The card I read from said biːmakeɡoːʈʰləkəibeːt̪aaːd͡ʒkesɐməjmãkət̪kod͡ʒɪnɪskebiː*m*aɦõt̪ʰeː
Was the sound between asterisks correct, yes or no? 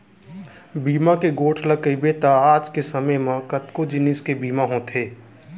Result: yes